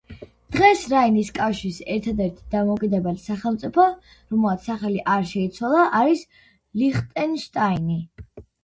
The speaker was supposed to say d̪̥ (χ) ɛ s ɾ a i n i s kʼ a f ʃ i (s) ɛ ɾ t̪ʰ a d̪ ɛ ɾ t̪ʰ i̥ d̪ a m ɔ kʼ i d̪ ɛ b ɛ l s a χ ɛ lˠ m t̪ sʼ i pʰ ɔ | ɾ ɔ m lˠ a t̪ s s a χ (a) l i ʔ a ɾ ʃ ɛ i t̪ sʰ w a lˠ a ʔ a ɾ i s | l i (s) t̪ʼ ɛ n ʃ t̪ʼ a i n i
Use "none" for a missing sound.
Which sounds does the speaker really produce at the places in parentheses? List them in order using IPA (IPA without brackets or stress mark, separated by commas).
ʁ, s, ɛ, χ